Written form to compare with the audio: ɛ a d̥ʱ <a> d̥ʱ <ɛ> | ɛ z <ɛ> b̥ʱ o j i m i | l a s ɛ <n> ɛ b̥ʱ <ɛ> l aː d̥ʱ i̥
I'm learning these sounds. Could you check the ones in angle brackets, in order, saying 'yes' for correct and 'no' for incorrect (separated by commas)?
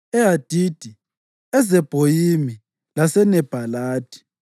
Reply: no, no, yes, yes, no